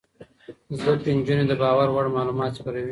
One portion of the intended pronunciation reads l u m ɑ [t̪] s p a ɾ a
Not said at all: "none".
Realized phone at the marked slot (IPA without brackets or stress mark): t̪